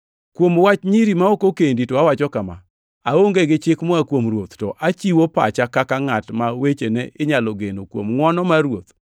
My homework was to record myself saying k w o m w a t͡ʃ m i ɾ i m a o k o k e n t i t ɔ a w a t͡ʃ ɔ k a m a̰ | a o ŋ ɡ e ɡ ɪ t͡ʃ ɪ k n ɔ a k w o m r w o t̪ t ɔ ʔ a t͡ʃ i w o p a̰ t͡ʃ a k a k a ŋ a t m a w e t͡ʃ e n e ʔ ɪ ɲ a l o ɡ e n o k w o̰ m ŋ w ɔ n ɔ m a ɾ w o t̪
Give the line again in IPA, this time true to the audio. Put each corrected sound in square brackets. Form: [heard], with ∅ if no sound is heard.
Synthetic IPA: k w o m w a t͡ʃ [ɲ] i ɾ i m a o k o k e n [d] i t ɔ a w a t͡ʃ ɔ k a m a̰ | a o ŋ ɡ e ɡ ɪ t͡ʃ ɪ k [m] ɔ a k w o m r w o t̪ t ɔ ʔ a t͡ʃ i w o p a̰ t͡ʃ a k a k a ŋ a t m a w e t͡ʃ e n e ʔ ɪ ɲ a l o ɡ e n o k w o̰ m ŋ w ɔ n ɔ m a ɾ w o t̪